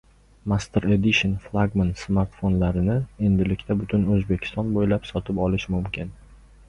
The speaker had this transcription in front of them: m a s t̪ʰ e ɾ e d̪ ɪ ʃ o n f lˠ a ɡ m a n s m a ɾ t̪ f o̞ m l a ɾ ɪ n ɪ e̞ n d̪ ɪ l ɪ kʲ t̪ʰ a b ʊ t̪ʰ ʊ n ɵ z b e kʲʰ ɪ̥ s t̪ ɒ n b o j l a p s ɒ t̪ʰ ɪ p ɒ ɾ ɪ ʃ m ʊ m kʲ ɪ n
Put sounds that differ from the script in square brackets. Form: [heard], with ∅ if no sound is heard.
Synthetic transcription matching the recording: m a s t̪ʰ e ɾ e d̪ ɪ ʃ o n f lˠ a ɡ m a n s m a ɾ t̪ f o̞ [n] l a ɾ ɪ n ɪ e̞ n d̪ ɪ l ɪ kʲ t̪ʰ a b ʊ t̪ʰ ʊ n ɵ z b e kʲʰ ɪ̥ s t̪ ɒ n b o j l a p s ɒ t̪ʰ ɪ p ɒ [l] ɪ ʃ m ʊ m kʲ ɪ n